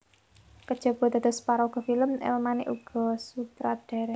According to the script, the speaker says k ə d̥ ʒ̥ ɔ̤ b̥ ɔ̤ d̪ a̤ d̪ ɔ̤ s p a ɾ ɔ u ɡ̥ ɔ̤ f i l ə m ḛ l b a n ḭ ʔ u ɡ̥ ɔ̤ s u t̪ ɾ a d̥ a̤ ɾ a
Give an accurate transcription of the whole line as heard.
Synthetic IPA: k ə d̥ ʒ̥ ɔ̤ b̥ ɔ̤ d̪ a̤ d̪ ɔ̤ s p a ɾ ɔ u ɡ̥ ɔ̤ f i l ə m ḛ l m a n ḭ ʔ u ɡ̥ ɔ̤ s u t̪ ɾ a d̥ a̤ ɾ ɛ